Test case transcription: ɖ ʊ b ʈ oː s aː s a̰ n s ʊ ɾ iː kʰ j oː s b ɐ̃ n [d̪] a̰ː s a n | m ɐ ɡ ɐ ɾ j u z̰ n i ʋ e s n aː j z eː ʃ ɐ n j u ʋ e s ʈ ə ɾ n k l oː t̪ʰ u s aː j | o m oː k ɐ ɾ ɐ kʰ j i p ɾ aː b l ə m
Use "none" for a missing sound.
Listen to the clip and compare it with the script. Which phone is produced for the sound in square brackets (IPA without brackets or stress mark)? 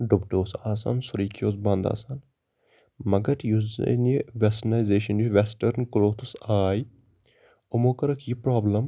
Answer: d̪